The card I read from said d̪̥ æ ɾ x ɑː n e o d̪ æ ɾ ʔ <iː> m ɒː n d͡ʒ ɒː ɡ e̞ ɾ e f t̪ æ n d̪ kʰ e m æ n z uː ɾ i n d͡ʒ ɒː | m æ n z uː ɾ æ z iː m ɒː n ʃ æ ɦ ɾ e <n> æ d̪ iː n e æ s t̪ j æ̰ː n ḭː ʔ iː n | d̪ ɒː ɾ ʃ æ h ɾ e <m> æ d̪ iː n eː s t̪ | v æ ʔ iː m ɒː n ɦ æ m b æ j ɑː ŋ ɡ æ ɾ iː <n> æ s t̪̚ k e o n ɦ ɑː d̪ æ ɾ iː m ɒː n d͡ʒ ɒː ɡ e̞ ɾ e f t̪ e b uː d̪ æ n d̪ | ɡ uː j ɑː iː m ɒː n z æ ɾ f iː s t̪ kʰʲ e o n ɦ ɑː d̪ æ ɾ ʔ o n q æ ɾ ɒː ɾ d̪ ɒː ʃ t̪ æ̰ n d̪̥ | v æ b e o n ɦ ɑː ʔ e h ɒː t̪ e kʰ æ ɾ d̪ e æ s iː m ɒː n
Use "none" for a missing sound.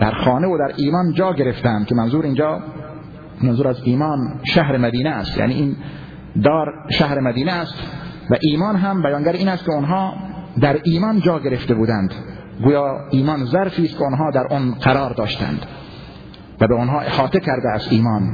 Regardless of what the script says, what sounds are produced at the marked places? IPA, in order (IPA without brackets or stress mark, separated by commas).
iː, m, m, n